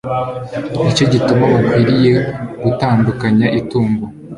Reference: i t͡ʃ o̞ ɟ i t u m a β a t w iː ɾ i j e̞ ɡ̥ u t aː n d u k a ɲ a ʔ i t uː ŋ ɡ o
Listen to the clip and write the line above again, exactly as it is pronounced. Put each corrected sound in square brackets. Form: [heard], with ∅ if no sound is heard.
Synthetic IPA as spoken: i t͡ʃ o̞ ɟ i t u m a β a [k] w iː ɾ i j e̞ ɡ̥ u t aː n d u k a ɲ a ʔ i t uː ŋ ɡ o